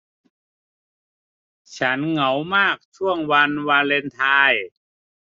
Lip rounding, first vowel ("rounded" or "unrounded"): unrounded